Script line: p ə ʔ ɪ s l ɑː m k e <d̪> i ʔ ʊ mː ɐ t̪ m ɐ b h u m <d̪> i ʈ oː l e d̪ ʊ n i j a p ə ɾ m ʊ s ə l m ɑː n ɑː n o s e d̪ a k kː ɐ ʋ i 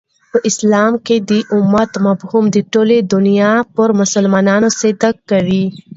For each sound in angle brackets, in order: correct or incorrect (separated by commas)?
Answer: correct, correct